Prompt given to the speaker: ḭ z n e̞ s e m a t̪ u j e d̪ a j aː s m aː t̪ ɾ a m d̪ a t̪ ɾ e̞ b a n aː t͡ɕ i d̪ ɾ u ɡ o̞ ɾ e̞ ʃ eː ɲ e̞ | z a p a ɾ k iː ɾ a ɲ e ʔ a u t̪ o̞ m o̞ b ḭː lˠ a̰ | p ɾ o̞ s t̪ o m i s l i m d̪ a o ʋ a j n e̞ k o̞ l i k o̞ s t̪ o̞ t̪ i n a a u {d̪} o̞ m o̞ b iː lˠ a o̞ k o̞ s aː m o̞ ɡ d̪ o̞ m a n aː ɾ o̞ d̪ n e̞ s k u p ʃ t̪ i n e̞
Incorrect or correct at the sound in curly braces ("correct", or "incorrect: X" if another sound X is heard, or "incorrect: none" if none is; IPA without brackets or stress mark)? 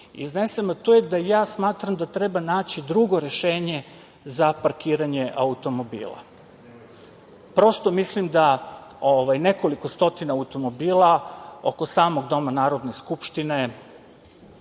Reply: incorrect: t̪